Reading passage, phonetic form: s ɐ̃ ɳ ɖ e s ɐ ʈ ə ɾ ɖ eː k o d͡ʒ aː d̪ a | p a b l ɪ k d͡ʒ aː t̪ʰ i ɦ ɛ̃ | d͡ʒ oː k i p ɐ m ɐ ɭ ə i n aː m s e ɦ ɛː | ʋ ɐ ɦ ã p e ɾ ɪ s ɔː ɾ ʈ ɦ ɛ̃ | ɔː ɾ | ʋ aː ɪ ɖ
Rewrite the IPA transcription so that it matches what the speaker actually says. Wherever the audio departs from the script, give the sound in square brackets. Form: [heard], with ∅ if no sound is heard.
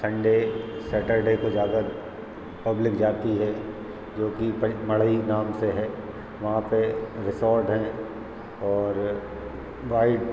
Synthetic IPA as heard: s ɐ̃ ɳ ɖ e s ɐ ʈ ə ɾ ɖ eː k o d͡ʒ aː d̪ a | p [ɐ] b l ɪ k d͡ʒ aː [t̪] i ɦ [ɛ] | d͡ʒ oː k i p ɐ m ɐ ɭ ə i n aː m s e ɦ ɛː | ʋ ɐ ɦ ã p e ɾ ɪ s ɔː ɾ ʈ ɦ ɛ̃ | ɔː ɾ | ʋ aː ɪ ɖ